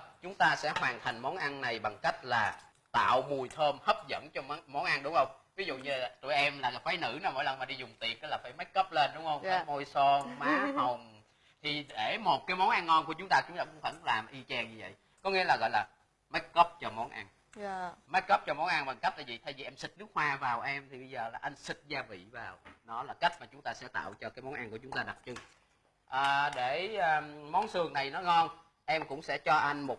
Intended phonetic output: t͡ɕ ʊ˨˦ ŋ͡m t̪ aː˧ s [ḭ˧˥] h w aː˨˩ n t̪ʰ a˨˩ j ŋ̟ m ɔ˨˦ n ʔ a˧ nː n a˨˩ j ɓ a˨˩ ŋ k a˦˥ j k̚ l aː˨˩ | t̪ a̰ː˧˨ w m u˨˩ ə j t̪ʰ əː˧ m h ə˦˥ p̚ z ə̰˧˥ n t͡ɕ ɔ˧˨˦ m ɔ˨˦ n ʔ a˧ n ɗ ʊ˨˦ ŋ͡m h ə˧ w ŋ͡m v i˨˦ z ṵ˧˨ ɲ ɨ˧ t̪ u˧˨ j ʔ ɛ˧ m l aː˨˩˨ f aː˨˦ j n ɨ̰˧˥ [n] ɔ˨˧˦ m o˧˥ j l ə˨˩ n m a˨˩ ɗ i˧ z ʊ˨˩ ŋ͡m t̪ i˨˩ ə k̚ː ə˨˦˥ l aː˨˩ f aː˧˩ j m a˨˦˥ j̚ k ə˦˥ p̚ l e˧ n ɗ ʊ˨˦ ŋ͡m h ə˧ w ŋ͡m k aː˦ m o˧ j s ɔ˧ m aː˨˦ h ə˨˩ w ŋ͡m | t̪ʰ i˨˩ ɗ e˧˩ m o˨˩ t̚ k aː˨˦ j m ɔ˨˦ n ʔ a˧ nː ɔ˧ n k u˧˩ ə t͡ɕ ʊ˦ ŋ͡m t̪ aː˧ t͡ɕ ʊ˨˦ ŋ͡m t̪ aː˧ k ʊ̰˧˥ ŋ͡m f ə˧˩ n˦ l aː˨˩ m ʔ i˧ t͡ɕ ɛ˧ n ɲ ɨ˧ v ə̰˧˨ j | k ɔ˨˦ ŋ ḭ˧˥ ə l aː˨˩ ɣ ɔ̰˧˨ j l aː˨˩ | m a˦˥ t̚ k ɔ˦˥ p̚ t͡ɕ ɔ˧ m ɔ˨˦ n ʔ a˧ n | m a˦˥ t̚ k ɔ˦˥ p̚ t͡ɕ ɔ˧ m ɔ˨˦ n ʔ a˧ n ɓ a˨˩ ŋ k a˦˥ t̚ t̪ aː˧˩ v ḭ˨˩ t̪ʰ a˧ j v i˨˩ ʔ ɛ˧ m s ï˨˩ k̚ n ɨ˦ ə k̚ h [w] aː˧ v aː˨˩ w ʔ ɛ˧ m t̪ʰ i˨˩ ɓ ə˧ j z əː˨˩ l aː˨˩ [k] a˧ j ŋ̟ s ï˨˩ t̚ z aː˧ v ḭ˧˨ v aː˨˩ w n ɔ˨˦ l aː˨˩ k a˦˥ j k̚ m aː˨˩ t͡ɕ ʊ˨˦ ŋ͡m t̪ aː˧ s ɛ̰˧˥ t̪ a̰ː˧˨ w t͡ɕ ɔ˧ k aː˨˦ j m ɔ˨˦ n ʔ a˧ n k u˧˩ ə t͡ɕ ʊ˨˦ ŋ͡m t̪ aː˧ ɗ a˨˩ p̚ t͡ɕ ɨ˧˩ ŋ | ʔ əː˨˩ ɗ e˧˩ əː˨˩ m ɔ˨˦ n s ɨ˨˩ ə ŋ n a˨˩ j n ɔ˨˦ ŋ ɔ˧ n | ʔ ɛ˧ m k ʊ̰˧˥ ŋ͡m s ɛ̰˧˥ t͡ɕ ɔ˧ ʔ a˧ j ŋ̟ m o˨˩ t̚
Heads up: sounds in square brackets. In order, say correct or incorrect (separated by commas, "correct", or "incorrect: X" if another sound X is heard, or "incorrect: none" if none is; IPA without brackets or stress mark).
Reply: incorrect: ɛ̰˧˥, correct, correct, incorrect: ʔ